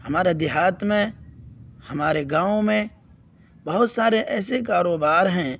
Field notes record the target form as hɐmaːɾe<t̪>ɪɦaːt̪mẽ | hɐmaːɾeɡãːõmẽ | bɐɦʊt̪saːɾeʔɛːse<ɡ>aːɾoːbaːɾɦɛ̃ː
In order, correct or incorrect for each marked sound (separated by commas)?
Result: incorrect, incorrect